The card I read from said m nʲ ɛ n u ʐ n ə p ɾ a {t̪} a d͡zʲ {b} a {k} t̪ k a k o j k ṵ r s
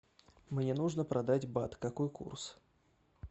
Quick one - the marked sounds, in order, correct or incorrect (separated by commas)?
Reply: incorrect, correct, incorrect